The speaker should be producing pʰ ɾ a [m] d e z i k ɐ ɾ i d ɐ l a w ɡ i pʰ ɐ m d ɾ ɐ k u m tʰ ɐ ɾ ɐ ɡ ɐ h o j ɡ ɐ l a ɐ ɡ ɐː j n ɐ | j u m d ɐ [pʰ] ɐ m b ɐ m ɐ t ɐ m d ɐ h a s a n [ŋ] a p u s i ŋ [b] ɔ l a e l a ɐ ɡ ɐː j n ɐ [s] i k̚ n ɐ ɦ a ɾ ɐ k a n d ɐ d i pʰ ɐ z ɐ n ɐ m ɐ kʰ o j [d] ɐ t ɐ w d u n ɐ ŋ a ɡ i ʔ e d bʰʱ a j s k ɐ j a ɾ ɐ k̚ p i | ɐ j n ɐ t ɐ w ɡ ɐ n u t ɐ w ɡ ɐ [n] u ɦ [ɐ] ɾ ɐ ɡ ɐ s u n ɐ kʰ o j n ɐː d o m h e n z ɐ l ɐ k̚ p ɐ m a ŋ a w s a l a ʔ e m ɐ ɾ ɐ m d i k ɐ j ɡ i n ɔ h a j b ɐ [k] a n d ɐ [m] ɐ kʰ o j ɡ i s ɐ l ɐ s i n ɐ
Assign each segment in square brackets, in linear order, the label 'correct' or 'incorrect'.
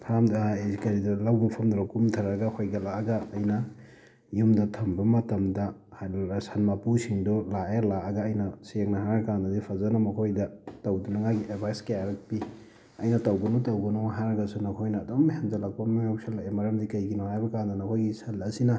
correct, incorrect: tʰ, incorrect: m, incorrect: d, correct, correct, correct, incorrect: a, correct, incorrect: n

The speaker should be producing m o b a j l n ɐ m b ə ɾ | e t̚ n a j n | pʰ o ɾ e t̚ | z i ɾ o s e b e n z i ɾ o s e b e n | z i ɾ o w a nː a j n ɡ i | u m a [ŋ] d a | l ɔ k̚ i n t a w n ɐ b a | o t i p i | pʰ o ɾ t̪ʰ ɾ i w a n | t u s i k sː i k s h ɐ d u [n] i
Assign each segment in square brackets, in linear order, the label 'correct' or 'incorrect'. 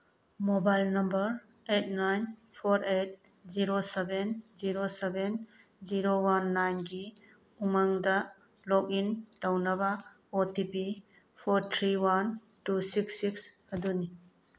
correct, correct

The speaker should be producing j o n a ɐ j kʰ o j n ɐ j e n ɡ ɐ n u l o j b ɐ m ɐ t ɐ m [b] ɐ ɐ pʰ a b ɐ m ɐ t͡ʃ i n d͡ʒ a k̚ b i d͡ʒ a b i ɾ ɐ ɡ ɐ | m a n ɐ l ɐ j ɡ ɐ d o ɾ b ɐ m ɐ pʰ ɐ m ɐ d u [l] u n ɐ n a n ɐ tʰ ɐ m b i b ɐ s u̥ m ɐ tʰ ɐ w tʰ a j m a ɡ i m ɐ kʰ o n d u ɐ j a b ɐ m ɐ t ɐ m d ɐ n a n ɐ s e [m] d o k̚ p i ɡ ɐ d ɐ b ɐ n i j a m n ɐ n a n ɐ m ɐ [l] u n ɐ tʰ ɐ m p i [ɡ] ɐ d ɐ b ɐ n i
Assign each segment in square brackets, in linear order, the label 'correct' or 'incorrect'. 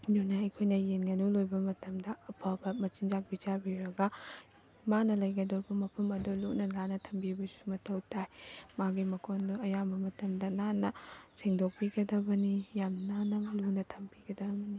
incorrect: d, correct, incorrect: ŋ, correct, correct

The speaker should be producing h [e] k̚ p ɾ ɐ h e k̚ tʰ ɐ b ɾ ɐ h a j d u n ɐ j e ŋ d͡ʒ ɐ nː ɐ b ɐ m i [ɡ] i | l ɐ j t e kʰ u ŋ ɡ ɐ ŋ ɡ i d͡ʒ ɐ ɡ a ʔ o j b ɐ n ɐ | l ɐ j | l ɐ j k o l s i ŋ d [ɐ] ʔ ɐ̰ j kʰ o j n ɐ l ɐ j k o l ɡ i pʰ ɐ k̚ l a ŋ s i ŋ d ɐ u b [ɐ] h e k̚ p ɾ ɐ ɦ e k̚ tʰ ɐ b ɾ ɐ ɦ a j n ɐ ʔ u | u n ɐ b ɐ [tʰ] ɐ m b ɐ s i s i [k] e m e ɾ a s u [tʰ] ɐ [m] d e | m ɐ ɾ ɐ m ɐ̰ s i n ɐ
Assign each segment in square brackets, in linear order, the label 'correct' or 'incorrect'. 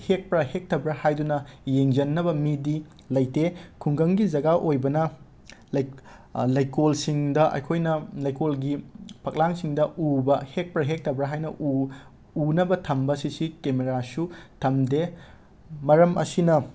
correct, incorrect: d, correct, correct, correct, correct, correct, correct

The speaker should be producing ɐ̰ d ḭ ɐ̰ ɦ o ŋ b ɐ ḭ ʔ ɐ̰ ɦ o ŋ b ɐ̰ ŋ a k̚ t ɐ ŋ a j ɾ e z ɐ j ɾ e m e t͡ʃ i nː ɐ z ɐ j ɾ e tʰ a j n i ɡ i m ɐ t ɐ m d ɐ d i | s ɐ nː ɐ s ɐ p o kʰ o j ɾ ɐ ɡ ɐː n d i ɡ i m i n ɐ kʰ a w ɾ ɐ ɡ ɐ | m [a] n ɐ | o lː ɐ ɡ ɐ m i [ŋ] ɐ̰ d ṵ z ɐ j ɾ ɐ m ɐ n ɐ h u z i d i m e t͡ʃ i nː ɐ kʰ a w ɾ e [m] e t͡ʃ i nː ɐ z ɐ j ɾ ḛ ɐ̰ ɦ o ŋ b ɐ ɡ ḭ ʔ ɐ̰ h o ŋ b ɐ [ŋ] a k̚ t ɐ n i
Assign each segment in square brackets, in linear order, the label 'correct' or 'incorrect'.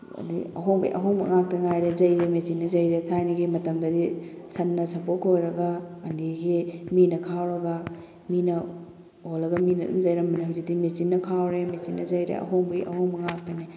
incorrect: i, incorrect: n, correct, correct

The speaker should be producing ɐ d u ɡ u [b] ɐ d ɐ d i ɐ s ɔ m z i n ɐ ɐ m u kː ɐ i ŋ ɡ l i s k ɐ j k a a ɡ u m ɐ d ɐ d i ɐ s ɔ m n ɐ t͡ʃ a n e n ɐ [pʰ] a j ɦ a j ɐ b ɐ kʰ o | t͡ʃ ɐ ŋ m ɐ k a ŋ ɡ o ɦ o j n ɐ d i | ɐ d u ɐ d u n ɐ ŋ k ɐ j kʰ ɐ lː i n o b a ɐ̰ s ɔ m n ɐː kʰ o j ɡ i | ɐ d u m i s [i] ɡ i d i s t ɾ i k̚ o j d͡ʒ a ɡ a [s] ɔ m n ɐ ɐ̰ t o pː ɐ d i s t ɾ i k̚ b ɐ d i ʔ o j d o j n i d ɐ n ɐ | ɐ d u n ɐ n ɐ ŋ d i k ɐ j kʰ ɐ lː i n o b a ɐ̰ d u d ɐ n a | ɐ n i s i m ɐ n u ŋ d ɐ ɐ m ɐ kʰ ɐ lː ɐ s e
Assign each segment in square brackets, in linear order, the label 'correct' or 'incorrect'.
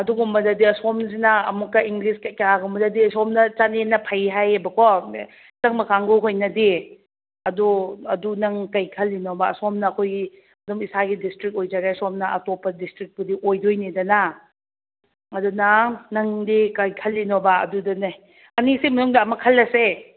incorrect: m, correct, incorrect: a, correct

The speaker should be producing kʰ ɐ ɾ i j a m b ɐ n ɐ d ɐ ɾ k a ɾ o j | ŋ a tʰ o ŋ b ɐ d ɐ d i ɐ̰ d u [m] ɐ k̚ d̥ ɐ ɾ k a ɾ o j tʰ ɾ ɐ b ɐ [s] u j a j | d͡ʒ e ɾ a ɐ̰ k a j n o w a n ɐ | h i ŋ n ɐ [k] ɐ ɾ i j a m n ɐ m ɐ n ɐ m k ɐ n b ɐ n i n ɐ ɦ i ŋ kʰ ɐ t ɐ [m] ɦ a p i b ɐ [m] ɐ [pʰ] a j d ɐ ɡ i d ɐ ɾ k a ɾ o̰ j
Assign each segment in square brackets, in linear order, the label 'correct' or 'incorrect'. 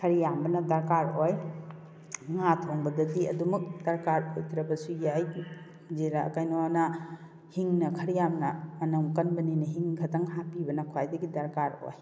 correct, correct, incorrect: kʰ, incorrect: ŋ, incorrect: n, incorrect: kʰ

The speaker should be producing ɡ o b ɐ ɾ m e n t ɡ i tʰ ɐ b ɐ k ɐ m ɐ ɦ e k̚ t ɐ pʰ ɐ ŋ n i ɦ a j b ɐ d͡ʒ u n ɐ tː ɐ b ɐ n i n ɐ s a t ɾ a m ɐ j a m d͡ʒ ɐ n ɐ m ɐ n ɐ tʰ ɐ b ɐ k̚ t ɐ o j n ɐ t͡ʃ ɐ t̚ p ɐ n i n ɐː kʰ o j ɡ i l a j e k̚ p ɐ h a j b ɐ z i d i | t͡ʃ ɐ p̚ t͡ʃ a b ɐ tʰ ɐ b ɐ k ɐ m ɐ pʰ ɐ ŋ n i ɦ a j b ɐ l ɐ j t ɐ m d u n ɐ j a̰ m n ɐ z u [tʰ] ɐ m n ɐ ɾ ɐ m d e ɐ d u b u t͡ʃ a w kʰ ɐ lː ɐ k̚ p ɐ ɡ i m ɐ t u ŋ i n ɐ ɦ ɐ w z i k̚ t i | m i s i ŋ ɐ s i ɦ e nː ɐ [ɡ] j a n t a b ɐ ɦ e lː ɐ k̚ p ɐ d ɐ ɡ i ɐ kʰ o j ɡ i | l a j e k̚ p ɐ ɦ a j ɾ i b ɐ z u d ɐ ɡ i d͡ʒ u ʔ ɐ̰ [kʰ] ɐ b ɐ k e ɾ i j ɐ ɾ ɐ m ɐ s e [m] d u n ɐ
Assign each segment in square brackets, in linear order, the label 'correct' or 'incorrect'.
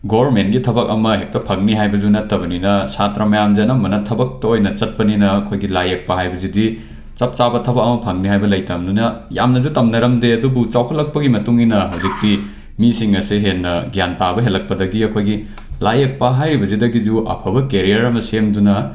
incorrect: t, correct, incorrect: pʰ, correct

